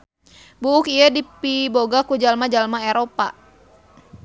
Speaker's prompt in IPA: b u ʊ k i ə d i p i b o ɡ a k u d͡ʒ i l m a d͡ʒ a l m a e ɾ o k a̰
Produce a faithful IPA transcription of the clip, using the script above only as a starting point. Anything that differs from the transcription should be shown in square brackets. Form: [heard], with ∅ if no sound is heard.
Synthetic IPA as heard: b u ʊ k i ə d i p i b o ɡ a k u d͡ʒ [a] l m a d͡ʒ a l m a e ɾ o [p] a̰